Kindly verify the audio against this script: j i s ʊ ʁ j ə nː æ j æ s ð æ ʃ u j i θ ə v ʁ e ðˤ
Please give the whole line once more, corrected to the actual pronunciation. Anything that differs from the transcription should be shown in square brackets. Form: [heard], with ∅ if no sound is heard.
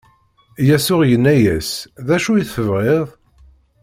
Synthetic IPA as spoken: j [æ] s ʊ ʁ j ə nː æ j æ s ð æ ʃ u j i θ ə v ʁ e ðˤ